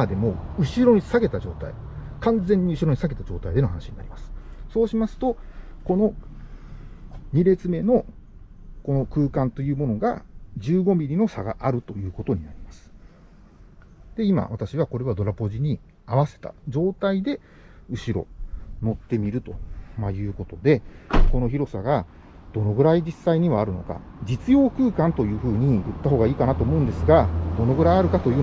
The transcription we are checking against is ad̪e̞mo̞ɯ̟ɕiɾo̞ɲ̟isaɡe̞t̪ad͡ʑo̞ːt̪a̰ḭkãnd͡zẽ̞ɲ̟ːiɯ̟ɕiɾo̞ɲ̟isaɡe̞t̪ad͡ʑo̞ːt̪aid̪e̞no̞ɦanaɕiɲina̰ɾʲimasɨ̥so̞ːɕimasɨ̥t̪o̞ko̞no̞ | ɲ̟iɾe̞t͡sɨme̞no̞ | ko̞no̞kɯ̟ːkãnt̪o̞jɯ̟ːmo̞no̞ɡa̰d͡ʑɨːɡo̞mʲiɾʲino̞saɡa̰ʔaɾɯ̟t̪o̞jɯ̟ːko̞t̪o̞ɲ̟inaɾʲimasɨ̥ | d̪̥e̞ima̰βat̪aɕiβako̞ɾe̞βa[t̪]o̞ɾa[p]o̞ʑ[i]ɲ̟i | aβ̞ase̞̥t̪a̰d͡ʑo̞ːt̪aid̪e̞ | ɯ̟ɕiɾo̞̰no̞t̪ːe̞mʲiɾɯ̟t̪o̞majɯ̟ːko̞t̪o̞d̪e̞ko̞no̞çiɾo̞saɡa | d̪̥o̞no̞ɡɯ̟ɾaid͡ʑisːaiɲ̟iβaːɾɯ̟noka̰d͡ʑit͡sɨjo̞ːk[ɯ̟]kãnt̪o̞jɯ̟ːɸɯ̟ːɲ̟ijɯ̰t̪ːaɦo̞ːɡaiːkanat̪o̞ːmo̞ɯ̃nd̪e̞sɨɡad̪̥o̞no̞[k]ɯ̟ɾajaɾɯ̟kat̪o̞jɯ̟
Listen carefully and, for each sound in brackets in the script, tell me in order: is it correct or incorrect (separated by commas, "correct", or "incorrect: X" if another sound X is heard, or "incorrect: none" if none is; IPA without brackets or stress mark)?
incorrect: d̪, correct, correct, incorrect: ɯ̟ː, incorrect: ɡ